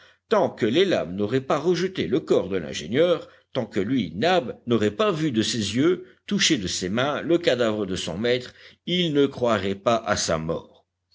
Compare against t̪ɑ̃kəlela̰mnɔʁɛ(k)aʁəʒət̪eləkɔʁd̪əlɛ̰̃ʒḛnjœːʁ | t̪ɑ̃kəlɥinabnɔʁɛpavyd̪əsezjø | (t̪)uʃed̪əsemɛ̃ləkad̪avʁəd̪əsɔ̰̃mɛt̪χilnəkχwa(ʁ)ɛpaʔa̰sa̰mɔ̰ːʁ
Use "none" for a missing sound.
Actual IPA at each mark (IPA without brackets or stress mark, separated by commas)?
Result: p, t̪, ʁ